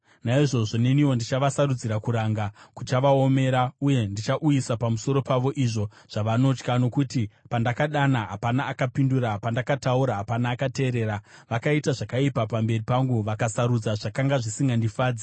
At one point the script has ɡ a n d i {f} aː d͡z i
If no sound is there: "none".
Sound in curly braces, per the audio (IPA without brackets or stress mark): f